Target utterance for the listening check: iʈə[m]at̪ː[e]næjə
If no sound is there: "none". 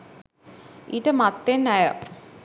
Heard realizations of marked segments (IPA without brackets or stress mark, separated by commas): m, e